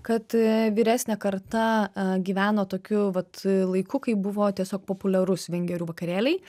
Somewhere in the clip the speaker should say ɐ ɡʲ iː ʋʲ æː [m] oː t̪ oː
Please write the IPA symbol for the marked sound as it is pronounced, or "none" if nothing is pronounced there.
n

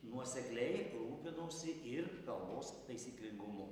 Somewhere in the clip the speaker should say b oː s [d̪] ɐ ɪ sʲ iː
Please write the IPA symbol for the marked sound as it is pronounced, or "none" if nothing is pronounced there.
t̪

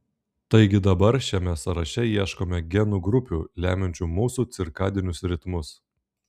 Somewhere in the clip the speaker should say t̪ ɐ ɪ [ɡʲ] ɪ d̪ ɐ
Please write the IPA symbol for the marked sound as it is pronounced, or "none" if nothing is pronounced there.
ɡʲ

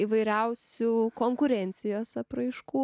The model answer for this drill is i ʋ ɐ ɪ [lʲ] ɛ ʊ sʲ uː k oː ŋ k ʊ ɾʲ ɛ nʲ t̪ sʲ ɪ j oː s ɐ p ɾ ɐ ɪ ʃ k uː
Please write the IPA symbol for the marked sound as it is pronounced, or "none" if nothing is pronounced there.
ɾʲ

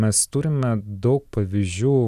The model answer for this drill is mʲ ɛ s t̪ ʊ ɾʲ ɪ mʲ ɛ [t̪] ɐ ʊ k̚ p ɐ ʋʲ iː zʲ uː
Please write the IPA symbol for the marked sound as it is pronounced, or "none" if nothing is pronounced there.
d̪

